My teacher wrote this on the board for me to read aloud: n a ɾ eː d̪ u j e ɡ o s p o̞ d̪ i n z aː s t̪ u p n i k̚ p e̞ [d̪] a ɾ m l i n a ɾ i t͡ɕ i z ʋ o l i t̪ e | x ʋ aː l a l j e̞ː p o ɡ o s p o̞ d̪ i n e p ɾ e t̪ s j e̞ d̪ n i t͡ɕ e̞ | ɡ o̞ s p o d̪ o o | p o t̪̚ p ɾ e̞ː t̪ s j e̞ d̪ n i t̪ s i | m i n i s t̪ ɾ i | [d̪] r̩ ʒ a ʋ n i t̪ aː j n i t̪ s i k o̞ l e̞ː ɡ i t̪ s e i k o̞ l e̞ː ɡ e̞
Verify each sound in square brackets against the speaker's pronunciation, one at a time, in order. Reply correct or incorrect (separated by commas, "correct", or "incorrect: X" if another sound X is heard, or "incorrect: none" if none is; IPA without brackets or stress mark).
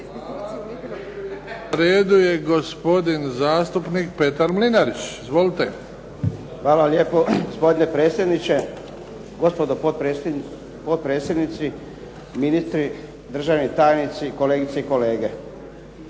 incorrect: t̪, correct